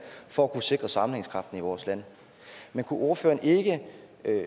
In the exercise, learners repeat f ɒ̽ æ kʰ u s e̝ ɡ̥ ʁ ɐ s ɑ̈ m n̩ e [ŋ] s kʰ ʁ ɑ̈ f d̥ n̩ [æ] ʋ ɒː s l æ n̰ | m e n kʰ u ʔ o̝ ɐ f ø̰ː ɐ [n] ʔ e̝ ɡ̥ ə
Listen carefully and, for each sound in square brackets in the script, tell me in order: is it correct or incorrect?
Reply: correct, incorrect, correct

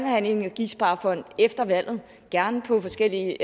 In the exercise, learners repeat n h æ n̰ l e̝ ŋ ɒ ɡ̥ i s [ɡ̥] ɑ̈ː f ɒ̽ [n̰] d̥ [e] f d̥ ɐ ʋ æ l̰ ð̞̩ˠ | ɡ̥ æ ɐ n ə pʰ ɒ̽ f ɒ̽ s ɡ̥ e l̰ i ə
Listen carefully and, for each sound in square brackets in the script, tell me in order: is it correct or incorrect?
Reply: incorrect, correct, correct

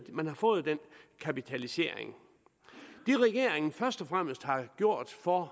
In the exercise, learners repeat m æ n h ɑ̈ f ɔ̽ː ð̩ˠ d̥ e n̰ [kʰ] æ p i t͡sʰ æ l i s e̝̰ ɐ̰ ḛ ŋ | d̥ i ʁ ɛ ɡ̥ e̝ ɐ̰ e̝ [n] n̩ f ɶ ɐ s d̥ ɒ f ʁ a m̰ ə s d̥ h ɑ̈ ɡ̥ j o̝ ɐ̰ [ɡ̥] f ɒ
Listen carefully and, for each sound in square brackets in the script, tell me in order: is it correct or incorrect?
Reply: correct, incorrect, incorrect

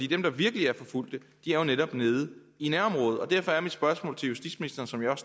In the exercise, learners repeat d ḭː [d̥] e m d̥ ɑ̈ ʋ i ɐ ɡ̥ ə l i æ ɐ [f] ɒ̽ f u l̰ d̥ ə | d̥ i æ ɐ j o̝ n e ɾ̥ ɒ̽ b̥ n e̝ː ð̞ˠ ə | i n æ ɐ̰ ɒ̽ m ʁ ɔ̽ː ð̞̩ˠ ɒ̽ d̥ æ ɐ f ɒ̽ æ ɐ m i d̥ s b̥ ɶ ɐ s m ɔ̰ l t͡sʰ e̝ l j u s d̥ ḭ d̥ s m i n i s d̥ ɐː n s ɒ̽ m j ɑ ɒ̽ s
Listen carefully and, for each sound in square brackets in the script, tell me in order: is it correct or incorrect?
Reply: correct, correct

